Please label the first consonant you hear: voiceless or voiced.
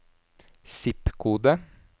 voiceless